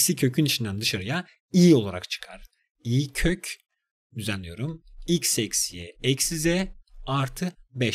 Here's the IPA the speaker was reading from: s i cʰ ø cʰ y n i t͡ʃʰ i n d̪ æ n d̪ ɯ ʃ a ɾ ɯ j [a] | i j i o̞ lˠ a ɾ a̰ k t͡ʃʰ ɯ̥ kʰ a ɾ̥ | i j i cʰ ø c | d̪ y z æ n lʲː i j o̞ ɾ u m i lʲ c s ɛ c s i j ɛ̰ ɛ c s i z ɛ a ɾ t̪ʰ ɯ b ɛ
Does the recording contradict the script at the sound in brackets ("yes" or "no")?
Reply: no